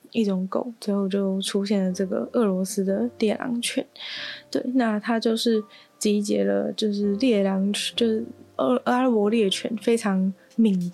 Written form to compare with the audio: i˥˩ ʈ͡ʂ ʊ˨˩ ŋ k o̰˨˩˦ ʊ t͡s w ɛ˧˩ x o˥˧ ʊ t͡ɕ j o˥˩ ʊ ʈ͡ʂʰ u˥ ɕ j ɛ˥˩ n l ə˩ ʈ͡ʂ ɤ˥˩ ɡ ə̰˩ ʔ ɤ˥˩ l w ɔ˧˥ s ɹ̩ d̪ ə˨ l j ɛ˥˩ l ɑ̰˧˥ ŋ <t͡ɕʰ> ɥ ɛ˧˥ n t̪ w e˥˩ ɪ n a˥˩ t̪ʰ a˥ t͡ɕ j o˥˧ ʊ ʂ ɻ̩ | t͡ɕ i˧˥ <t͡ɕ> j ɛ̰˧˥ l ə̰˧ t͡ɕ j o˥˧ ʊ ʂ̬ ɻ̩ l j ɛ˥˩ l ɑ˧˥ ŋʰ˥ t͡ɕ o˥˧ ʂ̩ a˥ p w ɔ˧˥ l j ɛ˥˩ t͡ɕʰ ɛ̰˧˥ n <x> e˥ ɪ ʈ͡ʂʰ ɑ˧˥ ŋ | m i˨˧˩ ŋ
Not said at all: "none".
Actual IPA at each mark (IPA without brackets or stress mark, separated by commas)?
t͡ɕʰ, t͡ɕ, f